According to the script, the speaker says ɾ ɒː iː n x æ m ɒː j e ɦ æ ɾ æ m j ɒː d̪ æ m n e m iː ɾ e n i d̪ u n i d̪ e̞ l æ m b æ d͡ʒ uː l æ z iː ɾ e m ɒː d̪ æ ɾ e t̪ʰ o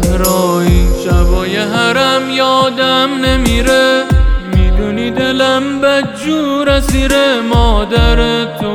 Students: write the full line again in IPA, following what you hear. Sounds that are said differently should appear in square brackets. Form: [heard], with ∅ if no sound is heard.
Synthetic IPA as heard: ɾ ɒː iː n [ʃ] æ [b] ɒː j e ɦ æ ɾ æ m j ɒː d̪ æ m n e m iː ɾ e [m] i d̪ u n i d̪ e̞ l æ m b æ d͡ʒ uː [ɾ] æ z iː ɾ e m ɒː d̪ æ ɾ e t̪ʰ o